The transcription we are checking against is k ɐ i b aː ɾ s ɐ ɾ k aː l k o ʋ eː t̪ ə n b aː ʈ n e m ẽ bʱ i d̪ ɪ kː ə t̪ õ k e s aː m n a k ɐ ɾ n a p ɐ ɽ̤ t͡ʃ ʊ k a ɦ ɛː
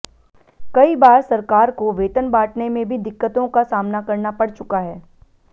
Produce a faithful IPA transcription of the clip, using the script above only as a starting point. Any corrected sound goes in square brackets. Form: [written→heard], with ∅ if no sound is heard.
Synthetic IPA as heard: k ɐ i b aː ɾ s ɐ ɾ k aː [l→ɾ] k o ʋ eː t̪ ə n b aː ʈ n e m ẽ bʱ i d̪ ɪ kː ə t̪ õ k [e→a] s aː m n a k ɐ ɾ n a p ɐ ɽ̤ t͡ʃ ʊ k a ɦ ɛː

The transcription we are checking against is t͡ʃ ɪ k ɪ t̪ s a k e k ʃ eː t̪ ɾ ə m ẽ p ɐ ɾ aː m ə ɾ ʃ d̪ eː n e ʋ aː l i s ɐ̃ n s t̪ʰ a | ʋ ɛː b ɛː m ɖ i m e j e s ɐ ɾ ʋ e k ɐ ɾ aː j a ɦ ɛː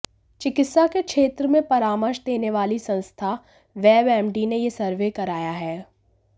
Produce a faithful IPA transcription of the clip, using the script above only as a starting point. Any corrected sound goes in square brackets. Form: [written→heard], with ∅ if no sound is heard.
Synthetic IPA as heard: t͡ʃ ɪ k ɪ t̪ s a k e k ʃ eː t̪ ɾ ə m ẽ p ɐ ɾ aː m ə ɾ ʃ d̪ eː n e ʋ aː l i s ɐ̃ n s t̪ʰ a | ʋ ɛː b ɛː m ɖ i [m→n] e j e s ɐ ɾ ʋ e k ɐ ɾ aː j a ɦ ɛː

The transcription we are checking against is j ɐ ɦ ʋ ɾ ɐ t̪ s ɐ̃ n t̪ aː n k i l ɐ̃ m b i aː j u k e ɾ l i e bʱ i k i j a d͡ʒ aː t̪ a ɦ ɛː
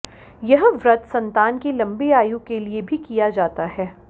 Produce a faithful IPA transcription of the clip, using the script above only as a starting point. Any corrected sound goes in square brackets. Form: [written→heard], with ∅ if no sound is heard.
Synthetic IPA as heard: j ɐ ɦ ʋ ɾ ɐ t̪ s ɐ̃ n t̪ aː n k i l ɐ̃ m b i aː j u k e [ɾ→∅] l i e bʱ i k i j a d͡ʒ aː t̪ a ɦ ɛː

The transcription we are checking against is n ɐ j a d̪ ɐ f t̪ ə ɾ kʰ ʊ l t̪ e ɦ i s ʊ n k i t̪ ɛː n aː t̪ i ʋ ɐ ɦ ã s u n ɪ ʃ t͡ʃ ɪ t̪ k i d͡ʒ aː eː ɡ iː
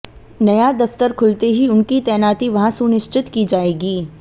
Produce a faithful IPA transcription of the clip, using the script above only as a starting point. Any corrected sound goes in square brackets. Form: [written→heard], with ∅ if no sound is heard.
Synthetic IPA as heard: n ɐ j a d̪ ɐ f t̪ ə ɾ kʰ ʊ l t̪ e ɦ i [s→∅] ʊ n k i t̪ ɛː n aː t̪ i ʋ ɐ ɦ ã s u n ɪ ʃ t͡ʃ ɪ t̪ k i d͡ʒ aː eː ɡ iː

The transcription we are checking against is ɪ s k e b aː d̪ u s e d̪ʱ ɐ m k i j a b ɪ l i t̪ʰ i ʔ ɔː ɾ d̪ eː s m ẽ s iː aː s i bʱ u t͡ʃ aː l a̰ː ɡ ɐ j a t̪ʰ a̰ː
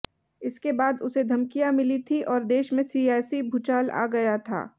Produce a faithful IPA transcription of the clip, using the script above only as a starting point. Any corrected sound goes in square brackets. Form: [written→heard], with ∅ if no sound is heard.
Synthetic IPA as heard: ɪ s k e b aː d̪ [u→ʊ] s e d̪ʱ ɐ m k i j a [b→m] ɪ l i t̪ʰ i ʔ ɔː ɾ d̪ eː [s→ʃ] m ẽ s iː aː s i bʱ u t͡ʃ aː l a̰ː ɡ ɐ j a t̪ʰ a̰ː

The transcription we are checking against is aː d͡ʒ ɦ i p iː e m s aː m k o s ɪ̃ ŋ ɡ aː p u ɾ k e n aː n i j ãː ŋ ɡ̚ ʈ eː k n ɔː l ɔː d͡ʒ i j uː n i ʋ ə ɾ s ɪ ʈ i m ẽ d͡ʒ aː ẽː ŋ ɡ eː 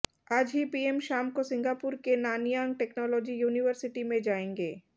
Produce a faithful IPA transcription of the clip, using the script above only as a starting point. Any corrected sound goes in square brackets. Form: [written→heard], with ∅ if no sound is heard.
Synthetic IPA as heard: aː d͡ʒ ɦ i p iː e m [s→ʃ] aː m k o s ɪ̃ ŋ ɡ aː p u ɾ k e n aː n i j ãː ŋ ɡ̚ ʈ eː k n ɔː l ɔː d͡ʒ i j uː n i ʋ ə ɾ s ɪ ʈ i m ẽ d͡ʒ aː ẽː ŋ ɡ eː

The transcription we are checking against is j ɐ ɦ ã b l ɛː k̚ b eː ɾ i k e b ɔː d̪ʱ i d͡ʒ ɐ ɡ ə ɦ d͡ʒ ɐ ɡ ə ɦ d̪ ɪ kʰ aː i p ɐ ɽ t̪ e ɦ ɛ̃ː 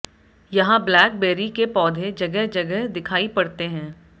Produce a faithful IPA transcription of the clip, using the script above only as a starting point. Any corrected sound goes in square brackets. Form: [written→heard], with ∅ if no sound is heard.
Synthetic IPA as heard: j ɐ ɦ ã b l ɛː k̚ b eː ɾ i k e [b→p] ɔː d̪ʱ [i→e] d͡ʒ ɐ ɡ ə ɦ d͡ʒ ɐ ɡ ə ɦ d̪ ɪ kʰ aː i p ɐ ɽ t̪ e ɦ ɛ̃ː

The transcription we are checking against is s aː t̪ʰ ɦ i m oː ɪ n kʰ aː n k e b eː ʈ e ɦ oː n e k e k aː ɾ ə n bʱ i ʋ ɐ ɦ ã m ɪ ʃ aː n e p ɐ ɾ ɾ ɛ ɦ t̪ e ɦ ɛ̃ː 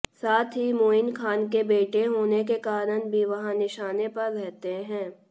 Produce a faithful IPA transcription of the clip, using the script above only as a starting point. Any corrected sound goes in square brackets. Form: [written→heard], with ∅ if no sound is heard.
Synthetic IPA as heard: s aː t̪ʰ ɦ i m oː ɪ n kʰ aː n k e b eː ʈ e ɦ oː n e k e k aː ɾ ə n bʱ i ʋ ɐ ɦ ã [m→n] ɪ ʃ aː n e p ɐ ɾ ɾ ɛ ɦ t̪ e ɦ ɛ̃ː

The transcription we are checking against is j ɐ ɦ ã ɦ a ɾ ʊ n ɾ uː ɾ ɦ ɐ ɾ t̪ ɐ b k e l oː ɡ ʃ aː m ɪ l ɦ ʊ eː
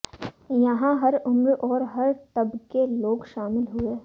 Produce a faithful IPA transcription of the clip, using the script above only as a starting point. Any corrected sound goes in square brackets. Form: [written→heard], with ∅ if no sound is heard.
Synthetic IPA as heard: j ɐ ɦ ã ɦ [a→ɐ] ɾ ʊ [n→m] ɾ [uː→ɔː] ɾ ɦ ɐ ɾ t̪ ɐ b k e l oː ɡ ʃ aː m ɪ l ɦ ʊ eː

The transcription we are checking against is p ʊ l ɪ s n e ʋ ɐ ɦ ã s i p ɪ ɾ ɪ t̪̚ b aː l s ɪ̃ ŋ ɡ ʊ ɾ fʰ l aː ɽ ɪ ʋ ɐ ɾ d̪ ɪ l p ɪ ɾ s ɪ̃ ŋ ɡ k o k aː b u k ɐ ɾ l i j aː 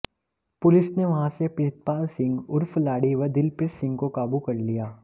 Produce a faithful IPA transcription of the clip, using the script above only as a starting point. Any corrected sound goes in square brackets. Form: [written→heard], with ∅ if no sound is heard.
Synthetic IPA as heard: p ʊ l ɪ s n e ʋ ɐ ɦ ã s [i→e] p ɪ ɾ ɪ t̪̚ [b→p] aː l s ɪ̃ ŋ ɡ ʊ ɾ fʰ l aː ɽ [ɪ→i] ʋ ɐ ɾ d̪ ɪ l p ɪ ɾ s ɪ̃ ŋ ɡ k o k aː b u k ɐ ɾ l i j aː

